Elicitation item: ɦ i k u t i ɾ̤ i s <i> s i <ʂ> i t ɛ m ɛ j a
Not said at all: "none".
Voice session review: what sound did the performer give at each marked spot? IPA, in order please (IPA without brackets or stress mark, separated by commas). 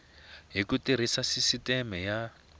a, s